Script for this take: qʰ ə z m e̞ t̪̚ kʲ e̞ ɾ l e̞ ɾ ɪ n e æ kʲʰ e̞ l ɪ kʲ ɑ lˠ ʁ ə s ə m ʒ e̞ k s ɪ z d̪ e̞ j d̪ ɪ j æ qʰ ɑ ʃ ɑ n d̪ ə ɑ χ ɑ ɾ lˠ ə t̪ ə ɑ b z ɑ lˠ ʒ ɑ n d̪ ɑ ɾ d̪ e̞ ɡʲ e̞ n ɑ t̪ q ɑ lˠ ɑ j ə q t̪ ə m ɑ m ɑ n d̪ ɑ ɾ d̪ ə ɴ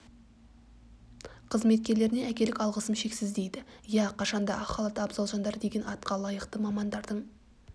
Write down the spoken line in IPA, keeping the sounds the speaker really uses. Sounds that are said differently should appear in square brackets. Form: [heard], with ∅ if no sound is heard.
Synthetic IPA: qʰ ə z m e̞ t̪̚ kʲ e̞ ɾ l e̞ ɾ ɪ n e æ [kʲ] e̞ l ɪ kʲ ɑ lˠ ʁ ə s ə m [ʃ] e̞ k s ɪ z d̪ e̞ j d̪ ɪ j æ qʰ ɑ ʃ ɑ n d̪ [ɑ] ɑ χ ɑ [∅] lˠ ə t̪ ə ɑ b z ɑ lˠ ʒ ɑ n d̪ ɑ ɾ d̪ e̞ ɡʲ e̞ n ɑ t̪ q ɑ lˠ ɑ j ə q t̪ ə m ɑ m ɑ n d̪ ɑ ɾ d̪ ə ɴ